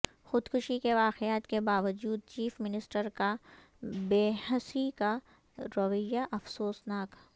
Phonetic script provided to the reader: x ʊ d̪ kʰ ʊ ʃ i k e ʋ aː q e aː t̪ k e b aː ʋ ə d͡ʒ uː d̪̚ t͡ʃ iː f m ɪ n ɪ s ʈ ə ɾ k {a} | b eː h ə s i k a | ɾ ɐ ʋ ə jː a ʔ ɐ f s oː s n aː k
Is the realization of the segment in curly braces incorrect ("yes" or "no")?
no